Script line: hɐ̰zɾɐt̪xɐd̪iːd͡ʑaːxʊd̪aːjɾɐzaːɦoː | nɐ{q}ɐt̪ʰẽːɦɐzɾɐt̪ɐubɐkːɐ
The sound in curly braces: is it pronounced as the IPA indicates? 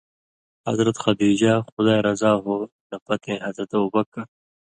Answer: no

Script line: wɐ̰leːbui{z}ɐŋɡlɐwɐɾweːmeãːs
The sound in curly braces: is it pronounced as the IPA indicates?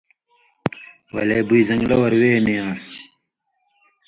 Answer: yes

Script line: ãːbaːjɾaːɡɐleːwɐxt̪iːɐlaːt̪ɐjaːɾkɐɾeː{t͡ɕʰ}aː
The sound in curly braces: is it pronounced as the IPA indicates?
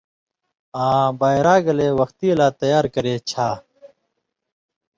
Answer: yes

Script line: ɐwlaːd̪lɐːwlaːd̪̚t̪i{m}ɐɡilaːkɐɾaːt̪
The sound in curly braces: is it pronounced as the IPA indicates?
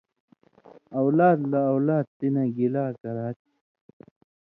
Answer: no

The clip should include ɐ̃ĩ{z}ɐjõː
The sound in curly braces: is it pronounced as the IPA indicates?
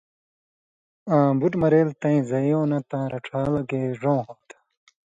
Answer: yes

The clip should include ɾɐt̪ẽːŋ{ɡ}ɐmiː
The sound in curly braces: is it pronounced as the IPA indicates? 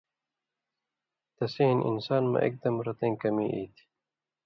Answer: no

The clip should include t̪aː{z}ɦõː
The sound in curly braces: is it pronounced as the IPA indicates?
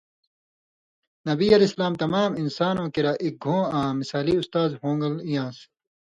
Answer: yes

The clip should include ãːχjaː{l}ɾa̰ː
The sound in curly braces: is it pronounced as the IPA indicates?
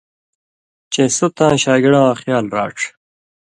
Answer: yes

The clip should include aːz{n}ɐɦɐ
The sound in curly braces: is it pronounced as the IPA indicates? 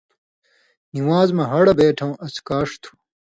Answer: no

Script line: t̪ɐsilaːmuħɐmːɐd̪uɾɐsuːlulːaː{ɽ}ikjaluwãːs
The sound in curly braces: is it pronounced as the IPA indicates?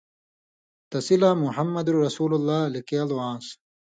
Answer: no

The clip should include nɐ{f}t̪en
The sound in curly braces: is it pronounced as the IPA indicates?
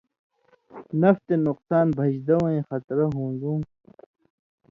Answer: yes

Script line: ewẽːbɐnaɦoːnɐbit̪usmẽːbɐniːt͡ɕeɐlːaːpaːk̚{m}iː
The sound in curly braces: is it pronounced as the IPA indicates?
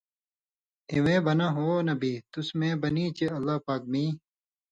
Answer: yes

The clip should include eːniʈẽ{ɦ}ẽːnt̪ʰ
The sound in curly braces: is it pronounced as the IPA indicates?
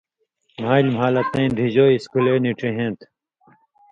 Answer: yes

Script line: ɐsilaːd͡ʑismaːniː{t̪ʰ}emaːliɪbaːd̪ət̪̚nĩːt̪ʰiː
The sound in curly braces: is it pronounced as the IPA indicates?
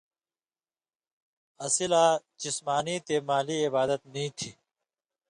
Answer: no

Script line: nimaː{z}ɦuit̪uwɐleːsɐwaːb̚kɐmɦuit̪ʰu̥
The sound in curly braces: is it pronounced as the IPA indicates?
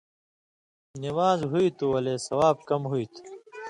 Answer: yes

